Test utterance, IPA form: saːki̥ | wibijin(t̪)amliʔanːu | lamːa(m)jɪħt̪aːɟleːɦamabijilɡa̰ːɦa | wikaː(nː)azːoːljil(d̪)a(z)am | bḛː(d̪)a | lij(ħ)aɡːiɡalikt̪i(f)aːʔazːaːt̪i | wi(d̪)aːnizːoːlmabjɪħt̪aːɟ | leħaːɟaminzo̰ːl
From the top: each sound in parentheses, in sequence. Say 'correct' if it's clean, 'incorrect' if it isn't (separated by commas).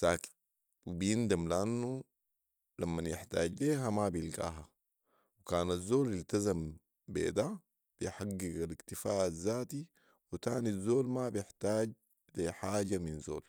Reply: incorrect, incorrect, incorrect, incorrect, correct, correct, correct, correct, incorrect